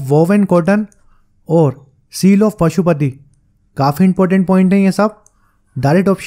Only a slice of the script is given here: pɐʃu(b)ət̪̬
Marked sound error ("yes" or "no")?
yes